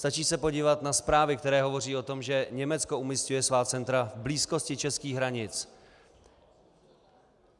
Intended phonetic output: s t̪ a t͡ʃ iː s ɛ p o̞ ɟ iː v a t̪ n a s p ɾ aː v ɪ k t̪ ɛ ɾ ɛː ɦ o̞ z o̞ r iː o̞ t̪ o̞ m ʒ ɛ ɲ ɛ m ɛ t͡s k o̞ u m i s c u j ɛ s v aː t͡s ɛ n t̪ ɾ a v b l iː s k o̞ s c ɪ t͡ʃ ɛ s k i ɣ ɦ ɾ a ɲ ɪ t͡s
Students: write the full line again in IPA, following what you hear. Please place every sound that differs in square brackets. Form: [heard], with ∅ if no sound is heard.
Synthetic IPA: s t̪ a t͡ʃ iː s ɛ p o̞ ɟ iː v a t̪ n a s p ɾ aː v ɪ k t̪ ɛ ɾ ɛː ɦ o̞ [v] o̞ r iː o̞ t̪ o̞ m ʒ ɛ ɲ ɛ m ɛ t͡s k o̞ u m i s c u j ɛ s v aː t͡s ɛ n t̪ ɾ a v b l iː s k o̞ s c ɪ t͡ʃ ɛ s k [iː] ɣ ɦ ɾ a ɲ ɪ t͡s